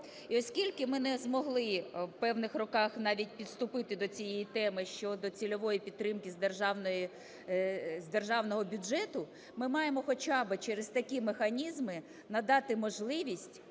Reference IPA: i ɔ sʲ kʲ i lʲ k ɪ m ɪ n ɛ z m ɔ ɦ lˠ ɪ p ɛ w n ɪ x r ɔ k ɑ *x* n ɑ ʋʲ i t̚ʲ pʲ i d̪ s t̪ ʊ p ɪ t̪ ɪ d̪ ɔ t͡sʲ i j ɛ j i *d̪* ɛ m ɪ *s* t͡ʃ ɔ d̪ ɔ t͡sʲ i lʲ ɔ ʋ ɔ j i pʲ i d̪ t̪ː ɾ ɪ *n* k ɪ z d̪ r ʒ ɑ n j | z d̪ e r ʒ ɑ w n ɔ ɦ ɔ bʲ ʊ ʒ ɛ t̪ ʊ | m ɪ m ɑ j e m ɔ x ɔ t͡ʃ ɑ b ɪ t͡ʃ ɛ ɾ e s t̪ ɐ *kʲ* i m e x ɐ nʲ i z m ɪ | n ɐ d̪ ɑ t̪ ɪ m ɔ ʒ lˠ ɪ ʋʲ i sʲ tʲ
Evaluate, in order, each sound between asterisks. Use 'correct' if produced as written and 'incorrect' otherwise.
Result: correct, incorrect, incorrect, incorrect, correct

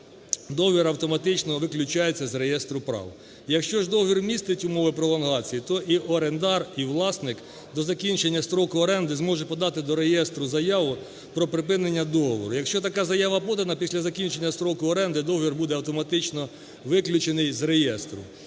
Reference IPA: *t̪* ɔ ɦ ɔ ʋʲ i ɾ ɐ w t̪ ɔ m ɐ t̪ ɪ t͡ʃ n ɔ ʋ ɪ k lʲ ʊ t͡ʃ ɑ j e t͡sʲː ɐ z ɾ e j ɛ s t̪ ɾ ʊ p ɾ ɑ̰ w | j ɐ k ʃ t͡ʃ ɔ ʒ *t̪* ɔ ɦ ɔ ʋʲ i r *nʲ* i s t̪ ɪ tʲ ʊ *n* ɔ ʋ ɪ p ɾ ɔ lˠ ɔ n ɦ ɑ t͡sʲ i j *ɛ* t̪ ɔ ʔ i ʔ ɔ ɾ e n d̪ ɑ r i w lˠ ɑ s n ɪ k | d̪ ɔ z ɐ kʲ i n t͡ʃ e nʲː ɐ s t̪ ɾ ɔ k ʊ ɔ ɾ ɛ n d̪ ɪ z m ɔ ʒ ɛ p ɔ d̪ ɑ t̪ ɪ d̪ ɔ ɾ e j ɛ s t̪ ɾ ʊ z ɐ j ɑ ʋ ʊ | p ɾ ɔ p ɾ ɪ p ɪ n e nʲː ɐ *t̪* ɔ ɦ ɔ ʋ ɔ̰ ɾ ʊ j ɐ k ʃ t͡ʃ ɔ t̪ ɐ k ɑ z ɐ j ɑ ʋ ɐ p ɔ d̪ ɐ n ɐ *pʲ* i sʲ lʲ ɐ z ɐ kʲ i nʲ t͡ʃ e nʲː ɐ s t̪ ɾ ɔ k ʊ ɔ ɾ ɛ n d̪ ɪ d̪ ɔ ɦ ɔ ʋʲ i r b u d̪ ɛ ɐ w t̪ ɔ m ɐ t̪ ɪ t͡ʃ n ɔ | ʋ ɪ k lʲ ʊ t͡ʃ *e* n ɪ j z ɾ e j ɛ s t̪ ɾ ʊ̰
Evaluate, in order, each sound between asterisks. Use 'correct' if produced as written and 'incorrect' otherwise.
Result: incorrect, incorrect, incorrect, incorrect, incorrect, incorrect, correct, correct

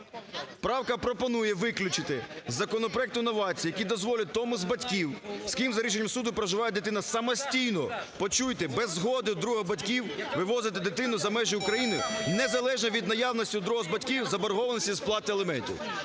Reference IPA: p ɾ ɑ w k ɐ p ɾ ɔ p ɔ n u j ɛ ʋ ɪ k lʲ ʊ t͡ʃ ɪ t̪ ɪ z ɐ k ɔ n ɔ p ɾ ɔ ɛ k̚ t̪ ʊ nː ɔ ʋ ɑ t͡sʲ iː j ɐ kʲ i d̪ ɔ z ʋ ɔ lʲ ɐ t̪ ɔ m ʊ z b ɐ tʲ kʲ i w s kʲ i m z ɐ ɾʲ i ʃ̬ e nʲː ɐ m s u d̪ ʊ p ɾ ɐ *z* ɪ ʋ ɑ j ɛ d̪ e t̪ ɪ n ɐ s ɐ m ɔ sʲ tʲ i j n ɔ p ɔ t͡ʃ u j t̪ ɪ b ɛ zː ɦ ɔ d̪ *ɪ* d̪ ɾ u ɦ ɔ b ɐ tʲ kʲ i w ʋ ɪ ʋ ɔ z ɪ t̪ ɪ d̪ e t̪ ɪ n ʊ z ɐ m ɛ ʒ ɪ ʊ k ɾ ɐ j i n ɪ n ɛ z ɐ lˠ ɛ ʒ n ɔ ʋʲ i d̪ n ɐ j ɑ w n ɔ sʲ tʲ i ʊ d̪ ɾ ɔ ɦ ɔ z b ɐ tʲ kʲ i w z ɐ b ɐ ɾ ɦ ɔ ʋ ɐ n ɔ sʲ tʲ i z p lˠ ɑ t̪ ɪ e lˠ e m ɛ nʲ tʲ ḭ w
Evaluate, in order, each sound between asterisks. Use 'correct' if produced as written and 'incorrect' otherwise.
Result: incorrect, correct

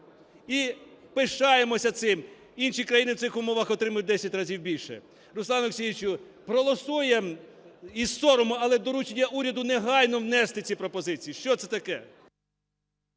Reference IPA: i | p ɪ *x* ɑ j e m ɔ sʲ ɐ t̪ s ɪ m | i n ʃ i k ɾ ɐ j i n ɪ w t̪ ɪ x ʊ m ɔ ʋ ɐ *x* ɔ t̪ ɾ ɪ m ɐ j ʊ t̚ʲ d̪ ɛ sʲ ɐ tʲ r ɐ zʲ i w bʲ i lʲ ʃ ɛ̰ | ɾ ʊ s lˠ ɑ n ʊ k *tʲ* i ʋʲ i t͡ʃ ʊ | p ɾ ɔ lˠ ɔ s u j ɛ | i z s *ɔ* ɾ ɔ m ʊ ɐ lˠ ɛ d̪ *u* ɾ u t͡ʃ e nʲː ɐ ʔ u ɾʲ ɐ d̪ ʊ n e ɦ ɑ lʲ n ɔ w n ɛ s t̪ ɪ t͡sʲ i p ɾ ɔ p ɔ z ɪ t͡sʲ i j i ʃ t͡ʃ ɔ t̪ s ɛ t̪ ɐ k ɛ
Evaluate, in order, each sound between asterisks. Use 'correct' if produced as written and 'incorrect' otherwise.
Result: incorrect, correct, incorrect, correct, incorrect

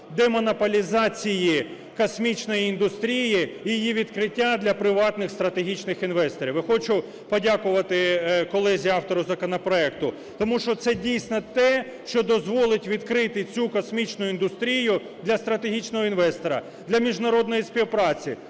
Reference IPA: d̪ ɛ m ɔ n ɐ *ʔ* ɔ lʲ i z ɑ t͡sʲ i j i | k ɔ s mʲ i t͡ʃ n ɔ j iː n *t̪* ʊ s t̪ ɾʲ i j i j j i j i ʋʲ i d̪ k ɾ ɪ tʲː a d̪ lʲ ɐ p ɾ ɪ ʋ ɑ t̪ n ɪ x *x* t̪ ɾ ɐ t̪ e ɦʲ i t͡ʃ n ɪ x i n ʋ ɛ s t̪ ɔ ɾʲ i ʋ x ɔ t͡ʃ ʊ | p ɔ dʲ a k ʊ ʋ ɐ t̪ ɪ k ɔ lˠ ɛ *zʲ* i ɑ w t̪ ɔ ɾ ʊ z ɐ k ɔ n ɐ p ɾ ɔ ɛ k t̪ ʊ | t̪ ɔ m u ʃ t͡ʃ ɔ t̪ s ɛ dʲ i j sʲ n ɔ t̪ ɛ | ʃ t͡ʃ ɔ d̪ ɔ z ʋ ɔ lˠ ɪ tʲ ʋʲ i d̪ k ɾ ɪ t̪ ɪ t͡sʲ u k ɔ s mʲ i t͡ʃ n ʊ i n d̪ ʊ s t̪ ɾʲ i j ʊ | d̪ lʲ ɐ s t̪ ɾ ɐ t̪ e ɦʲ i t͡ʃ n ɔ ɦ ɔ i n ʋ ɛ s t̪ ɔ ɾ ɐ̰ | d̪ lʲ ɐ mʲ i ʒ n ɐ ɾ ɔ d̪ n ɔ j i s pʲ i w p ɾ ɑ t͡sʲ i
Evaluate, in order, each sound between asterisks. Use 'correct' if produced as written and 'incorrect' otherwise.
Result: incorrect, incorrect, incorrect, correct

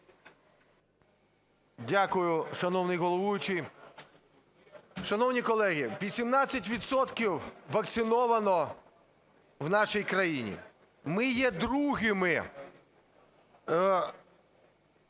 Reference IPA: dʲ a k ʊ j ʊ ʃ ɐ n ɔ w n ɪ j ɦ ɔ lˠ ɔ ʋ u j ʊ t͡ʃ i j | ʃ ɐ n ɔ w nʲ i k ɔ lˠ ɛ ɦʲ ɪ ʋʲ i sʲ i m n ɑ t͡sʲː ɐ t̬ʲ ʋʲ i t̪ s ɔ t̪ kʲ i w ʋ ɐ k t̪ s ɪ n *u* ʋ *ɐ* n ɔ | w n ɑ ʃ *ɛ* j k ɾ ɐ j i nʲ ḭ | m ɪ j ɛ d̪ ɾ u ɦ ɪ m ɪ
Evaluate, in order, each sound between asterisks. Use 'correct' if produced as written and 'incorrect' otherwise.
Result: incorrect, correct, incorrect

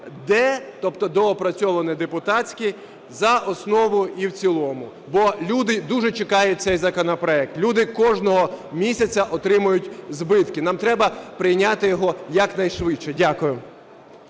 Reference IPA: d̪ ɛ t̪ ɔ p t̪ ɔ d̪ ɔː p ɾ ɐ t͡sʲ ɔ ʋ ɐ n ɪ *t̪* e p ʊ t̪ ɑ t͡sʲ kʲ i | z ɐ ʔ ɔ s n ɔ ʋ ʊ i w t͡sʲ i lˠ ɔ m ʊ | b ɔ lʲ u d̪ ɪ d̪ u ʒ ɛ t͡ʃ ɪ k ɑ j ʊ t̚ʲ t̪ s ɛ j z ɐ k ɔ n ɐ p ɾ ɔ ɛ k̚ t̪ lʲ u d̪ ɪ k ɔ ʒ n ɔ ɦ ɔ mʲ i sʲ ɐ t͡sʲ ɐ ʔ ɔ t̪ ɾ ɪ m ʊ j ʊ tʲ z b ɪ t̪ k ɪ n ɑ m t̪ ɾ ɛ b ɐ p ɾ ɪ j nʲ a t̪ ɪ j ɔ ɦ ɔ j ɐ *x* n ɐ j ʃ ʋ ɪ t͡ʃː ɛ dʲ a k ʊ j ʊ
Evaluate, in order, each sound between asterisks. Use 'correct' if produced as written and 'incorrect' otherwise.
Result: incorrect, incorrect

